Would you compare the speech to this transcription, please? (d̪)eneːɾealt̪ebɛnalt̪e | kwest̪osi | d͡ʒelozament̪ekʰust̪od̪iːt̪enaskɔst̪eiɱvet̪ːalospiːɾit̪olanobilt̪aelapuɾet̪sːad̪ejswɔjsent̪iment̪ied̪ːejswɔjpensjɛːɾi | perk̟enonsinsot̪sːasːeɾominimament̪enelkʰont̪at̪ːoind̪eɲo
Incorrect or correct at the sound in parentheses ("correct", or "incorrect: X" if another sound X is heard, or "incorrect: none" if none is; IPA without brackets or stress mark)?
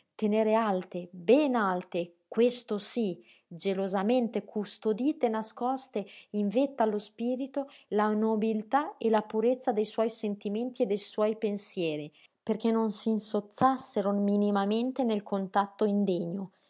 incorrect: t̪